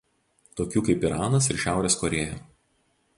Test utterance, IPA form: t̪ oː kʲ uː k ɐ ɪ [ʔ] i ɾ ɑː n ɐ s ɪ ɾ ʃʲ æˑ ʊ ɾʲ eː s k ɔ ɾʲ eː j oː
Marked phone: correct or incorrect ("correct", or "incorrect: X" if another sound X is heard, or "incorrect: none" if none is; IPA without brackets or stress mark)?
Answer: incorrect: p